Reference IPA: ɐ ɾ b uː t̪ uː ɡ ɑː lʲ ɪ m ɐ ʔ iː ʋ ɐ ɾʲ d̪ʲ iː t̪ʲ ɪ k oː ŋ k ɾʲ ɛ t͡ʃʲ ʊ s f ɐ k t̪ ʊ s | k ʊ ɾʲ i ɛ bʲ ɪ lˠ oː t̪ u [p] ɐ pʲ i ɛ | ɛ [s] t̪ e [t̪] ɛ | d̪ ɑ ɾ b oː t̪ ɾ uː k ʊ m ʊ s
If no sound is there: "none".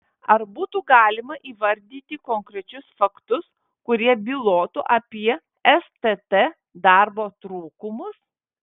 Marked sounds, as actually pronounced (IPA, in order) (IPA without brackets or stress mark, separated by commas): ʔ, s, t̪